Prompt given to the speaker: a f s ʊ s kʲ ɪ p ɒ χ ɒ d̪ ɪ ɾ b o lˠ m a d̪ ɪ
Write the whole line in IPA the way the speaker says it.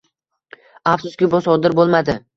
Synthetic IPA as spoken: a f s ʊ s kʲ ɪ b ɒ s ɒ d̪ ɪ ɾ b o lˠ m a d̪ ɪ

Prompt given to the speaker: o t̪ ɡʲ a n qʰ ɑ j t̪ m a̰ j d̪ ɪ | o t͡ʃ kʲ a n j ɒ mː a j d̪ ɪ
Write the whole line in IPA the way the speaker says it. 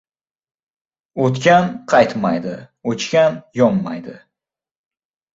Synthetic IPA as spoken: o t̪ kʲ a n qʰ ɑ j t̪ m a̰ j d̪ ɪ | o t͡ʃ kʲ a n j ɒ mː a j d̪ ɪ

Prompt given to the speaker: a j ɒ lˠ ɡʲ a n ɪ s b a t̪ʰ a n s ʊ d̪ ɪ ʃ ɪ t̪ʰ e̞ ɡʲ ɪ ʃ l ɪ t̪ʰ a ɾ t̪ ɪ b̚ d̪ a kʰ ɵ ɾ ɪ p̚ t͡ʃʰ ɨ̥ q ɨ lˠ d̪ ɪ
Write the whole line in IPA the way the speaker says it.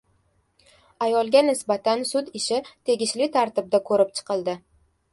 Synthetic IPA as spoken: a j ɒ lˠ ɡʲ a n ɪ s b a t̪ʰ a n s ʊ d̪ ɪ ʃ ɪ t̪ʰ e̞ ɡʲ ɪ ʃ l ɪ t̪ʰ a ɾ t̪ ɪ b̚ d̪ a kʰ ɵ ɾ ɪ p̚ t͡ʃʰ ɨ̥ q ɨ lˠ d̪ ɪ

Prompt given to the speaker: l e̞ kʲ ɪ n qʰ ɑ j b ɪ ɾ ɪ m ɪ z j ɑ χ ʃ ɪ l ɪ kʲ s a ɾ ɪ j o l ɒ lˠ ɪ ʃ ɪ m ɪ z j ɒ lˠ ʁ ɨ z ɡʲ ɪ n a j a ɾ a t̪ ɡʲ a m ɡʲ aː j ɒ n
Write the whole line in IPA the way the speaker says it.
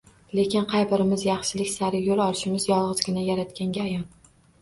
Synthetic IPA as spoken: l e̞ kʲ ɪ n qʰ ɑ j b ɪ ɾ ɪ m ɪ z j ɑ χ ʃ ɪ l ɪ kʲ s a ɾ ɪ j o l ɒ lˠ ɪ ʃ ɪ m ɪ z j ɒ lˠ ʁ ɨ z ɡʲ ɪ n a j a ɾ a t̪ kʲ a ŋ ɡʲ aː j ɒ n

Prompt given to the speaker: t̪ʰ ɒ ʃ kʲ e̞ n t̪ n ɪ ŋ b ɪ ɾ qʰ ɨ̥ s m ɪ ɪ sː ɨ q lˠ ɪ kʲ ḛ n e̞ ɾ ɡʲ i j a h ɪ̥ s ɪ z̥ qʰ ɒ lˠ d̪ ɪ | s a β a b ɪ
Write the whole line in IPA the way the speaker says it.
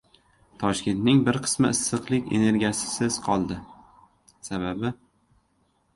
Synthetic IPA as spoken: t̪ʰ ɒ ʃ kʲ e̞ n t̪ n ɪ ŋ b ɪ ɾ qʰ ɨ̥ s m ɪ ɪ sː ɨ q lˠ ɪ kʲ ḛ n e̞ ɾ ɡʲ i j a s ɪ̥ s ɪ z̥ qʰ ɒ lˠ d̪ ɪ | s a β a b ɪ

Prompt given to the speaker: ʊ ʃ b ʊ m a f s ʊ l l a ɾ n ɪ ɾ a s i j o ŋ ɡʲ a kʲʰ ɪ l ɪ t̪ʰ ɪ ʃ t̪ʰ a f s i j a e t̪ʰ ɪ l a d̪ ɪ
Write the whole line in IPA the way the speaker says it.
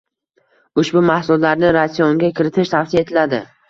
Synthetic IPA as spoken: ʊ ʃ b ʊ m a h s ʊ l l a ɾ n ɪ ɾ a s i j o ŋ ɡʲ a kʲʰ ɪ ɾ ɪ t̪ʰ ɪ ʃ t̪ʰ a f s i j a e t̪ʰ ɪ l a d̪ ɪ

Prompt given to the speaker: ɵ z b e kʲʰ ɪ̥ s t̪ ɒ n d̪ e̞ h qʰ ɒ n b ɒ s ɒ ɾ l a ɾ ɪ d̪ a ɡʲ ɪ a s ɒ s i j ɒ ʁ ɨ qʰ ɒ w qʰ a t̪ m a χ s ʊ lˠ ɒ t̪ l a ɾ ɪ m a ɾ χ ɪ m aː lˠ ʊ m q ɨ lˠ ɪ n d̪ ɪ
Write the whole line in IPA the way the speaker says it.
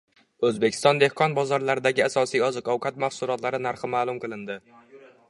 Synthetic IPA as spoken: ɵ z b e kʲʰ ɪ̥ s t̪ ɒ n d̪ e̞ h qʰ ɒ n b ɒ z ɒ ɾ l a ɾ ɪ d̪ a ɡʲ ɪ a s ɒ s i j ɒ z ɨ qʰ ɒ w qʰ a t̪ m a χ s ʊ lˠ ɒ t̪ l a ɾ ɪ n a ɾ χ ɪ m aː lˠ ʊ m q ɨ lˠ ɪ n d̪ ɪ

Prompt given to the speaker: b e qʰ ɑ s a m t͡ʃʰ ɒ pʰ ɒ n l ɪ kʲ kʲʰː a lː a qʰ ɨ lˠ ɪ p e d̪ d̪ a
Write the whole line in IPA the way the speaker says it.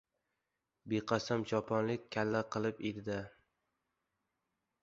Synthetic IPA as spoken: b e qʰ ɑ s a m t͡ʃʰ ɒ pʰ ɒ n l ɪ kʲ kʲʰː a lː a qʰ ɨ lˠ ɪ p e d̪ d̪ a

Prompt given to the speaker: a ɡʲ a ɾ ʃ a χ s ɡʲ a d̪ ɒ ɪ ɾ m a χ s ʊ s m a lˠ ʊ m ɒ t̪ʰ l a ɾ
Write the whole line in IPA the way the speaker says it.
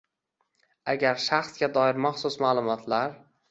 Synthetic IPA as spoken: a ɡʲ a ɾ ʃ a χ s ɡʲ a d̪ ɒ ɪ ɾ m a χ s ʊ s m a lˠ ʊ m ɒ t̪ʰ l a ɾ

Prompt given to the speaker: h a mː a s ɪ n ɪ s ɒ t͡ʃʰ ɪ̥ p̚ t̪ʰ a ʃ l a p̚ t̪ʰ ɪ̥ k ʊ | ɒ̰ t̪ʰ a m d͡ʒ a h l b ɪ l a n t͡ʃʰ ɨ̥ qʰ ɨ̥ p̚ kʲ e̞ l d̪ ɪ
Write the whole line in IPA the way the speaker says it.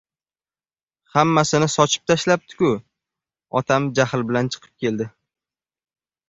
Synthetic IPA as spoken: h a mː a s ɪ n ɪ s ɒ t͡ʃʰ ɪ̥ p̚ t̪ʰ a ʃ l a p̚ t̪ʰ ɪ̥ k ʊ | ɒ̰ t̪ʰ a m d͡ʒ a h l b ɪ l a n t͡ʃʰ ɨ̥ qʰ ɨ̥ p̚ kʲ e̞ l d̪ ɪ

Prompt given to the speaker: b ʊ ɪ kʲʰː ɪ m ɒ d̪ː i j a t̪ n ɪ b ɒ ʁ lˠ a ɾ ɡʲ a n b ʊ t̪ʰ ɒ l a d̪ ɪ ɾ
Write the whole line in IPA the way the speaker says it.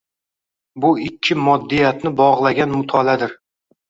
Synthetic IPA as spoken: b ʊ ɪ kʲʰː ɪ m ɒ d̪ː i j a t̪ n ɪ b ɒ ʁ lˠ a ɡʲ a n m ʊ t̪ʰ ɒ l a d̪ ɪ ɾ

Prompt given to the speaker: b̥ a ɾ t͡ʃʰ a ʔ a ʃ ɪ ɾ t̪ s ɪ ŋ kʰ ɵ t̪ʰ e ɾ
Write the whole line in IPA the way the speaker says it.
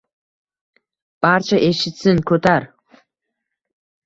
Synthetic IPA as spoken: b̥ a ɾ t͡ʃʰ a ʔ e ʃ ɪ t̪ s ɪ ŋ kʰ ɵ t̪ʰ a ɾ

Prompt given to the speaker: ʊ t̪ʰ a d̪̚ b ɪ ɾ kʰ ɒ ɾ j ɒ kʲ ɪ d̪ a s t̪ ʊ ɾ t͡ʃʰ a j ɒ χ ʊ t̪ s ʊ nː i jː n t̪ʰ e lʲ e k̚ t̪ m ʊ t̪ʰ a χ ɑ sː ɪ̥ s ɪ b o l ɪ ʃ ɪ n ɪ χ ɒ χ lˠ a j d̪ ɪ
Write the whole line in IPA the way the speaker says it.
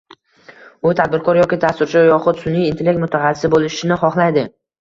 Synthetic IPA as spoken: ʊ t̪ʰ a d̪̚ b ɪ ɾ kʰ ɒ ɾ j ɒ kʲ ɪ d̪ a s t̪ ʊ ɾ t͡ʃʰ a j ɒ χ ʊ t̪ s ʊ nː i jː n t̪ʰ e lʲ e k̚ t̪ m ʊ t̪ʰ a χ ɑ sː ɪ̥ s ɪ b o l ɪ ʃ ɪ n ɪ χ ɒ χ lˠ a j d̪ ɪ

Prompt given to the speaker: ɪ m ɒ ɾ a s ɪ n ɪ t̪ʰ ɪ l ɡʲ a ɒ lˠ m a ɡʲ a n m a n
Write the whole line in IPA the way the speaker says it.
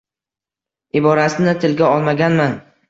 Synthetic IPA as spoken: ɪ b ɒ ɾ a s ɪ n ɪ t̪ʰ ɪ l ɡʲ a ɒ lˠ m a ɡʲ a n m a n

